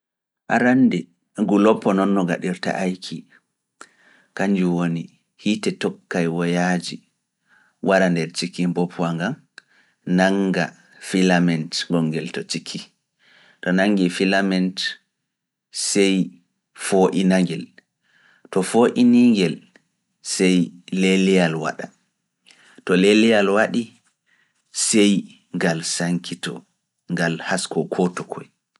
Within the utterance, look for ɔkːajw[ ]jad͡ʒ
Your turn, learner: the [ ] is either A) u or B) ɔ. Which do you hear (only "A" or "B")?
B